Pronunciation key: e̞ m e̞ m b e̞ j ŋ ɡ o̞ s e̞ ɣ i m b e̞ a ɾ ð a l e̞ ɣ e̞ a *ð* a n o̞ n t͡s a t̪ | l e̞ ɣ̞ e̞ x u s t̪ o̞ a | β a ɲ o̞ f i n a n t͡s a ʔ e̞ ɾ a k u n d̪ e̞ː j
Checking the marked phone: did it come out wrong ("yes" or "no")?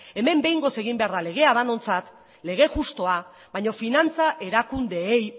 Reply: no